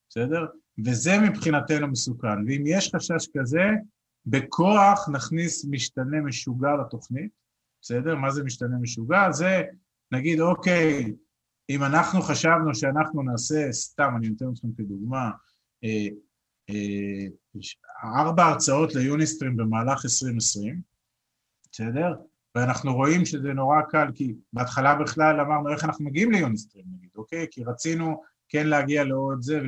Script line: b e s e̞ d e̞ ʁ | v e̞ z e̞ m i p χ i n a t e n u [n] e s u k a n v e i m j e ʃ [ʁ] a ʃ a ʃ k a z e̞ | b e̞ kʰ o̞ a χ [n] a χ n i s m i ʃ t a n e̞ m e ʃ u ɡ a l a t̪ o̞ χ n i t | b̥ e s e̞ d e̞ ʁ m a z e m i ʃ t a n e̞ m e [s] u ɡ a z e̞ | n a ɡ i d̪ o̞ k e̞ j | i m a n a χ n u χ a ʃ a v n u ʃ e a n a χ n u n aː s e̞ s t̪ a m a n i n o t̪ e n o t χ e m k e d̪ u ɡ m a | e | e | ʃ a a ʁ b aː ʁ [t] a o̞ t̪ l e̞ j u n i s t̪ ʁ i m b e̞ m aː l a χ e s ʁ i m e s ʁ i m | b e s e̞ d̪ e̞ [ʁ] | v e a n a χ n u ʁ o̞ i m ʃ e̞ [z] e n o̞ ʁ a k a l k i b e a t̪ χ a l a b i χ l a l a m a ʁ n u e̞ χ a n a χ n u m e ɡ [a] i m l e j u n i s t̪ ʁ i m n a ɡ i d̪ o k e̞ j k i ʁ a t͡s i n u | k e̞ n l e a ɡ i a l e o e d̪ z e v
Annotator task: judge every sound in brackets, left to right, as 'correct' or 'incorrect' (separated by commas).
incorrect, incorrect, correct, incorrect, incorrect, correct, correct, incorrect